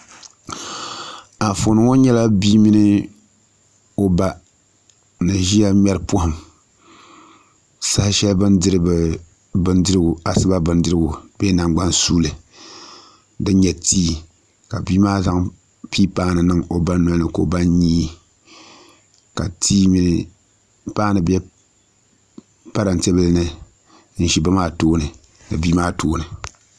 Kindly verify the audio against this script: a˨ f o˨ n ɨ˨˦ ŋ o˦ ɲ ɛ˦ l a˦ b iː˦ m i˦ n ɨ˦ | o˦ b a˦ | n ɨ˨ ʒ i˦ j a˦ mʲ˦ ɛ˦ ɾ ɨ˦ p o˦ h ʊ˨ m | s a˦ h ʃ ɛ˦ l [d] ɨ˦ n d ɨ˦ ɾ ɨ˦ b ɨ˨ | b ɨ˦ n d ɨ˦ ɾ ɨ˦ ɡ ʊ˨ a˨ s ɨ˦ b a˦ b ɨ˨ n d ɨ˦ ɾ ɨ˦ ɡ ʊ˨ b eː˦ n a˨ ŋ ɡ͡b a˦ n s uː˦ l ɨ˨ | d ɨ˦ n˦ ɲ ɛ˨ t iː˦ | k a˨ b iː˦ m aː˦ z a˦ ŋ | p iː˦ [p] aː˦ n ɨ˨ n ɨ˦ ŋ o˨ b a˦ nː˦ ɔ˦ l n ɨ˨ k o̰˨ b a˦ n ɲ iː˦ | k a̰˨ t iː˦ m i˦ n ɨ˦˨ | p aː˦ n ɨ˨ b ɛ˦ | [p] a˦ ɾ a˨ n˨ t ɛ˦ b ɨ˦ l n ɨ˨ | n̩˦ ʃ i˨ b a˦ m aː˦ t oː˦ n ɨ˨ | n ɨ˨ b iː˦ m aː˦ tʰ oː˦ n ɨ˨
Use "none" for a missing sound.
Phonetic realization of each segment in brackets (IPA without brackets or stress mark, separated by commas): b, p, p